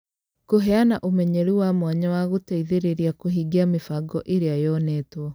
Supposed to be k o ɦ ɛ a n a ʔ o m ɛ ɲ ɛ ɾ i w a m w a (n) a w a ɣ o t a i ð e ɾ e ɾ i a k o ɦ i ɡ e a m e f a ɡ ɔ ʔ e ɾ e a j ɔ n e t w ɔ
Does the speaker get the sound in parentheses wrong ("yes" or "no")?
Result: yes